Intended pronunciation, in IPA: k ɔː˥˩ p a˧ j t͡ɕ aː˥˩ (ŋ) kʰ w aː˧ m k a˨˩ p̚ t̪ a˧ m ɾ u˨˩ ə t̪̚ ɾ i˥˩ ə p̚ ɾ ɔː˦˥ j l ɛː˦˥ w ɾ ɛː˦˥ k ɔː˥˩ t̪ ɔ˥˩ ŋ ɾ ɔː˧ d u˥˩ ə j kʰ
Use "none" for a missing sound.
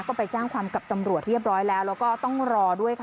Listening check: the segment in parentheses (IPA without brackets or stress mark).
ŋ